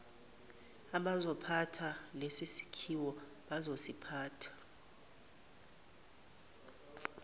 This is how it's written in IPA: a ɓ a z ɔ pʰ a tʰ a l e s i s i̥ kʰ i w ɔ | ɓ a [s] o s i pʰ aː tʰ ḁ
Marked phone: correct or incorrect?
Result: incorrect